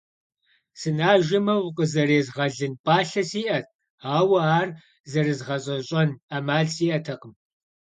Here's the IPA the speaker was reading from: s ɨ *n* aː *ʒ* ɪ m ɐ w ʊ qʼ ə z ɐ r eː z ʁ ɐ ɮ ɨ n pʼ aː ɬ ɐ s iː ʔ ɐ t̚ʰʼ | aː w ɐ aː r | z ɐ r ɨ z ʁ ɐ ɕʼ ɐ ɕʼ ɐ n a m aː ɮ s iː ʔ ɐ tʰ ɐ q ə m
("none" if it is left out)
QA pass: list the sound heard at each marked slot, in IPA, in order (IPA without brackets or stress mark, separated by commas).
n, ʒ